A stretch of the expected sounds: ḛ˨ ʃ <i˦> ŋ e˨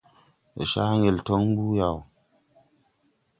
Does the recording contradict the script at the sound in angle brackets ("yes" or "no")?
yes